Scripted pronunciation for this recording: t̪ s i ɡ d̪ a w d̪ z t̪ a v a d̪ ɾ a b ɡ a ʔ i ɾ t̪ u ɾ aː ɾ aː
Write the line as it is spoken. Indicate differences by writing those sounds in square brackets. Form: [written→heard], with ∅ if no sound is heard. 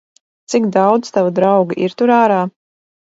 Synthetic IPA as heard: t̪ s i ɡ d̪ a w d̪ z t̪ a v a d̪ ɾ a [b→w] ɡ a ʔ i ɾ t̪ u ɾ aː ɾ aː